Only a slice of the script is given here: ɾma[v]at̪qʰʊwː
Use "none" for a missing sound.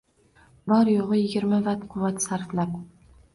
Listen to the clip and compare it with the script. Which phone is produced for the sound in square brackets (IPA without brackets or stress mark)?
v